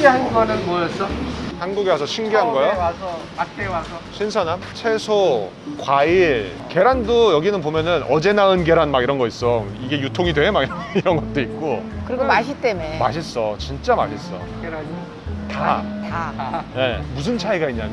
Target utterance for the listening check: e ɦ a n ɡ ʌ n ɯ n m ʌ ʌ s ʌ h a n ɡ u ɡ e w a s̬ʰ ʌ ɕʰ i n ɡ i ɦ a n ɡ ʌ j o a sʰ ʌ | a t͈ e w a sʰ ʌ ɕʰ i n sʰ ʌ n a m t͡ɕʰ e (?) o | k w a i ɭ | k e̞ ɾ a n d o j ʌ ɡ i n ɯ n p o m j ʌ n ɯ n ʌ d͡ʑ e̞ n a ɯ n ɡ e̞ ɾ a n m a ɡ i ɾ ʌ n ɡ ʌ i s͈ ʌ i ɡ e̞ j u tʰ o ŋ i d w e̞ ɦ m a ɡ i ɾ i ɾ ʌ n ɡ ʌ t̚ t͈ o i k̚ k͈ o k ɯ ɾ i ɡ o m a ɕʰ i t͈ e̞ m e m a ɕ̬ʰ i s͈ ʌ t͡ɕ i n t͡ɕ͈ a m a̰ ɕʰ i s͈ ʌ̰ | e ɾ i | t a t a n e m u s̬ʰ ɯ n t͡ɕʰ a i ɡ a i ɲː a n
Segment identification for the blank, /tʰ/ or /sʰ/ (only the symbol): sʰ